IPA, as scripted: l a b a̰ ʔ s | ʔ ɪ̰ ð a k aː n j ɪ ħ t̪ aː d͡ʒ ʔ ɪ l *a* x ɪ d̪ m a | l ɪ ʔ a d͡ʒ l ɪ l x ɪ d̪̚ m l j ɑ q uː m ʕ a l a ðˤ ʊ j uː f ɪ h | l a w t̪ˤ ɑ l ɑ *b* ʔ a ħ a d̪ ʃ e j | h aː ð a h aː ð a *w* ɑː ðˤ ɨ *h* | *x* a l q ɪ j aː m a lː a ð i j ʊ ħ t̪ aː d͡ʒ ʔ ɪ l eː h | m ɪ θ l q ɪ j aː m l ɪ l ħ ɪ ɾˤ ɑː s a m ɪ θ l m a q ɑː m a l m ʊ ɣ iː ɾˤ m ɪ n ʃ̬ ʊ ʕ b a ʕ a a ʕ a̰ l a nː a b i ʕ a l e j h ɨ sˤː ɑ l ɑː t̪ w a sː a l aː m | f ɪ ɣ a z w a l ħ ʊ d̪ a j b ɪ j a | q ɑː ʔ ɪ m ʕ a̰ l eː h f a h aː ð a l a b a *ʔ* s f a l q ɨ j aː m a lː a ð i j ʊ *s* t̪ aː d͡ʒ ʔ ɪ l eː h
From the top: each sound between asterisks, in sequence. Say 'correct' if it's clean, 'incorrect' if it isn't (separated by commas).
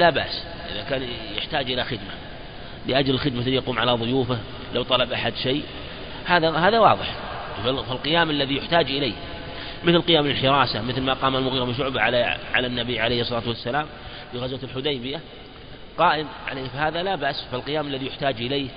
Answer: correct, correct, correct, incorrect, incorrect, correct, incorrect